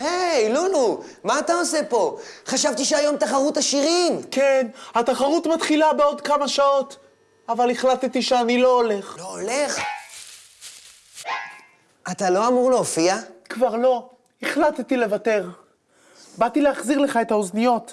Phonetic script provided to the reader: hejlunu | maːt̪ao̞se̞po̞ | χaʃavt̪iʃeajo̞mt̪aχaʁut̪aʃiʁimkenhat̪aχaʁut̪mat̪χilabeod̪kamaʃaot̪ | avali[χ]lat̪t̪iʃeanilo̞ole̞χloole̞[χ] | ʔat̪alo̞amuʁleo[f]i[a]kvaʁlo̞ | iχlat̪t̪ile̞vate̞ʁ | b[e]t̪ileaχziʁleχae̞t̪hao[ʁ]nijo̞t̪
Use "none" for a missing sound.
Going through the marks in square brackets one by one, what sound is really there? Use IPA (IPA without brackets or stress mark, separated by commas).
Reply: χ, χ, f, a, a, z